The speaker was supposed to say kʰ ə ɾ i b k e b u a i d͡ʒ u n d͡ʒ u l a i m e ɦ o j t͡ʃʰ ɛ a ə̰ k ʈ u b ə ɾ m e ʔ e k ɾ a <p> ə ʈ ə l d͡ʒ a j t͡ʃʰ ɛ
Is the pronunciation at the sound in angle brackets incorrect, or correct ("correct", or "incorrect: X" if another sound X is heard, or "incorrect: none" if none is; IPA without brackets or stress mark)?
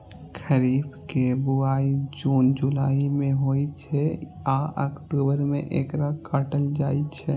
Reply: incorrect: k